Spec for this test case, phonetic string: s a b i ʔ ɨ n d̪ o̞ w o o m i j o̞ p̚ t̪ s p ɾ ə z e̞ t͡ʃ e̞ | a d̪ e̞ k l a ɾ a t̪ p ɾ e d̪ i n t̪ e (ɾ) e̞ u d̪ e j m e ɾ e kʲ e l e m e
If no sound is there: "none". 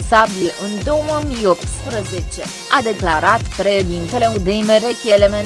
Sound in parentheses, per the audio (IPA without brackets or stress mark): l